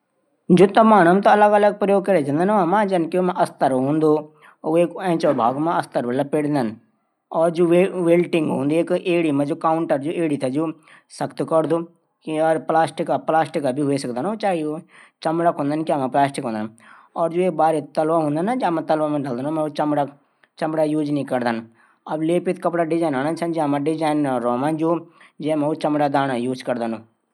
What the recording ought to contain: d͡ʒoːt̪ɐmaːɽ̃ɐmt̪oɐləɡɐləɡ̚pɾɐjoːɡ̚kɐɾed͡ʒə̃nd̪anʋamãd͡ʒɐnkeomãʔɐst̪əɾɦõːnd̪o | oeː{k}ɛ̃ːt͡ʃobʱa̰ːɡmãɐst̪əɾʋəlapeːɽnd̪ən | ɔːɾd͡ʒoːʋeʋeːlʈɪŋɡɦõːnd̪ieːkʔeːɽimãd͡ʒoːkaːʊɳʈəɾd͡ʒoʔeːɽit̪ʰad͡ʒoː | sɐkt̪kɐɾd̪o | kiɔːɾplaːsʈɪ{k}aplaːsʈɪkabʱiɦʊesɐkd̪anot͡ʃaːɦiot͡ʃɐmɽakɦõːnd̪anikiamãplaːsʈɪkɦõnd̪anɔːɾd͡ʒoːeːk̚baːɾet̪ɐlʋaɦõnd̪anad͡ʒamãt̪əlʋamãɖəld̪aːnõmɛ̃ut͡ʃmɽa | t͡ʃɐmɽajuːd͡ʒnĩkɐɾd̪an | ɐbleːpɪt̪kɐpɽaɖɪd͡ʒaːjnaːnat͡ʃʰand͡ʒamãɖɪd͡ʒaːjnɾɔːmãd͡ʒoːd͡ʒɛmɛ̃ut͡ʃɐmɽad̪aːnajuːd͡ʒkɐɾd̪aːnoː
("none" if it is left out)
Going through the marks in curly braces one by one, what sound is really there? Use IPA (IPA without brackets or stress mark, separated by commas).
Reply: k, k